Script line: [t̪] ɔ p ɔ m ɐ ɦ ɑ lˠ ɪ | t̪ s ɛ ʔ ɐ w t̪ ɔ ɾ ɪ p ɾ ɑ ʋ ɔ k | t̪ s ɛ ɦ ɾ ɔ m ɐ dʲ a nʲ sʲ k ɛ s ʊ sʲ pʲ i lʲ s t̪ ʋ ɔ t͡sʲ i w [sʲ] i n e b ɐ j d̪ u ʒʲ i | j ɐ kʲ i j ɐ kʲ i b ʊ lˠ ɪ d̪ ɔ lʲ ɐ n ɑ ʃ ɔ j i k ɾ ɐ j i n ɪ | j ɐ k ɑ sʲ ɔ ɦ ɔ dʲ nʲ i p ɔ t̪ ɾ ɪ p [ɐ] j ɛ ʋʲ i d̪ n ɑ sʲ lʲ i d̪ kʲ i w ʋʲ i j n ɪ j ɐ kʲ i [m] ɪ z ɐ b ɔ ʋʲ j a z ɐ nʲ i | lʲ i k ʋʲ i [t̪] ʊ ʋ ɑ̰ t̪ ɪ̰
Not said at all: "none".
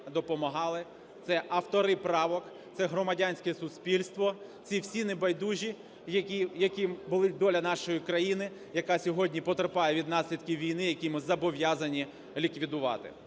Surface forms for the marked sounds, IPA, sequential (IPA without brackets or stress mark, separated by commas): d̪, sʲ, ɑ, m, d̪